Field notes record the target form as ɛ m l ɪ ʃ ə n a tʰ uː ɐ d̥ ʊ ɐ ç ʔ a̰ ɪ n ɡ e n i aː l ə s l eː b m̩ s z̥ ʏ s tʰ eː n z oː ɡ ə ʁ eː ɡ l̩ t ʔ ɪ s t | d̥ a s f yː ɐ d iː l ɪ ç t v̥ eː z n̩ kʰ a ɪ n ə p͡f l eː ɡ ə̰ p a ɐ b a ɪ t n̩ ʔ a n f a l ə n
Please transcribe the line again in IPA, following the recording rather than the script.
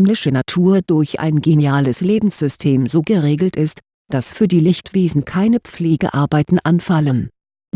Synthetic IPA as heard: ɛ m l ɪ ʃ ə n a tʰ uː ɐ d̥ ʊ ɐ ç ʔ a̰ ɪ n ɡ e n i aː l ə s l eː b m̩ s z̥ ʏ s tʰ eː m z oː ɡ ə ʁ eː ɡ l̩ t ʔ ɪ s t | d̥ a s f yː ɐ d iː l ɪ ç t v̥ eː z n̩ kʰ a ɪ n ə p͡f l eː ɡ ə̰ ʔ a ɐ b a ɪ t n̩ ʔ a n f a l ə n